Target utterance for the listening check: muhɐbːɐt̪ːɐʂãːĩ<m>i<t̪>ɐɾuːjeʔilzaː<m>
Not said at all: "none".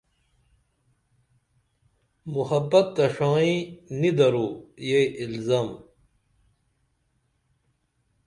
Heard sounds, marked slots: n, d̪, m

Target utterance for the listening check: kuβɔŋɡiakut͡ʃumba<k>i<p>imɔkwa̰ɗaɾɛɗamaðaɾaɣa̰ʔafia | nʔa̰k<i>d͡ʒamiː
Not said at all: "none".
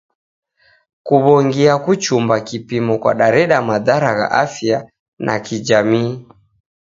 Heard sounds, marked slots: k, p, i

